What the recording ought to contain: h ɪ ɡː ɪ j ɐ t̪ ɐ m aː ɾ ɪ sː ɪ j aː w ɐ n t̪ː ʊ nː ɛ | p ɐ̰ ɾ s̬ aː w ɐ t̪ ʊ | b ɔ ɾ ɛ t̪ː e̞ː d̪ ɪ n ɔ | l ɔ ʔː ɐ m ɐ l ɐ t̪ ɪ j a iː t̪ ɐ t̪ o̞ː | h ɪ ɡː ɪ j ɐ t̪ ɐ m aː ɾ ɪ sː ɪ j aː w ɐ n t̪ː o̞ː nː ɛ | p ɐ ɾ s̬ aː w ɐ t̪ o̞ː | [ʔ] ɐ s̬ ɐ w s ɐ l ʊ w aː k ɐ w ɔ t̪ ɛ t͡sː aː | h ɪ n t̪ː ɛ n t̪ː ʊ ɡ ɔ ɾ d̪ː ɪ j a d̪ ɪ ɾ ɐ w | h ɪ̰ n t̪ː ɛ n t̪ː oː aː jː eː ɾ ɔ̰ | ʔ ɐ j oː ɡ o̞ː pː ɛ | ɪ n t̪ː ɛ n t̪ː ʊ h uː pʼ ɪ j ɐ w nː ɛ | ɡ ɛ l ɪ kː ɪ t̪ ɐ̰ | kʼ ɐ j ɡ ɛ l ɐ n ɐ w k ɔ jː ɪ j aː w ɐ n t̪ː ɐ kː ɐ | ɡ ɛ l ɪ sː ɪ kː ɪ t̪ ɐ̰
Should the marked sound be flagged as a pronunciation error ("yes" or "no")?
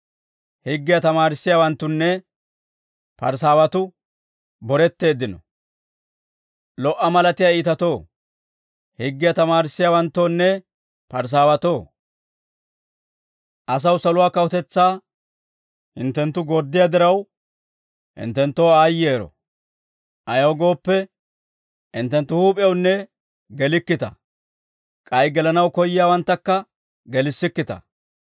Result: no